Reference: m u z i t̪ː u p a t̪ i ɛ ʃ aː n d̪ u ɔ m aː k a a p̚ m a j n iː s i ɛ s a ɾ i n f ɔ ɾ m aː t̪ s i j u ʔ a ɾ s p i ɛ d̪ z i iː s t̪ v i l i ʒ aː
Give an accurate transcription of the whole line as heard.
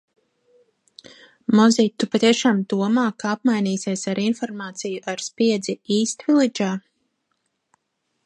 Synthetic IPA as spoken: m ɔ z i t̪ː u p a t̪ i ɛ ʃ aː m d̪ u ɔ m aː k a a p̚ m a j n iː s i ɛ s a ɾ i n f ɔ ɾ m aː t̪ s i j u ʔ a ɾ s p i ɛ d̪ z i iː s t̪ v i l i d͡ʒ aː